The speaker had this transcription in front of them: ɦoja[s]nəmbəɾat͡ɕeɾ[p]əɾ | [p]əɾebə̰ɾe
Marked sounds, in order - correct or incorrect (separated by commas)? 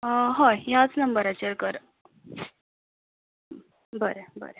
incorrect, incorrect, incorrect